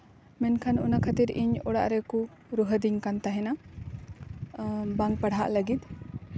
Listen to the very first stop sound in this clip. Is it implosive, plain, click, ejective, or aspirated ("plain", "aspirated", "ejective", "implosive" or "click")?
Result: aspirated